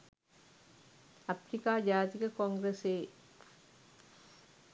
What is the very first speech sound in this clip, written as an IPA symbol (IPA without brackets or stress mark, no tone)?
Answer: ɐ